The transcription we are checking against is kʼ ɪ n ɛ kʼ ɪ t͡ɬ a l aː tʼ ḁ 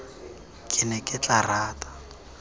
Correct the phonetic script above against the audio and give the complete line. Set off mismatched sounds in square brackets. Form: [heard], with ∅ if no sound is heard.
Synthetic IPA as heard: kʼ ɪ n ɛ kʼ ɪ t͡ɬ a [r] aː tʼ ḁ